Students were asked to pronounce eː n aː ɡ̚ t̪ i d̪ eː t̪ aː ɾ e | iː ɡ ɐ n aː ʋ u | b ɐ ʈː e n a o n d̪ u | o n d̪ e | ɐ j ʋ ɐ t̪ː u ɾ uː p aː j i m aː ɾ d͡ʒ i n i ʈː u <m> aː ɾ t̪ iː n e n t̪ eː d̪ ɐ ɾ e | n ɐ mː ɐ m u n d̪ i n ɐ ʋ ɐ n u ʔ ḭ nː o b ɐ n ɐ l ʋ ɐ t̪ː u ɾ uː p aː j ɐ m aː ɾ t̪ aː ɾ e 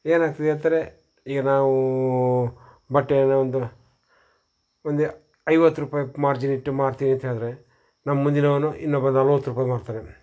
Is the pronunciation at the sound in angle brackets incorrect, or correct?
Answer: correct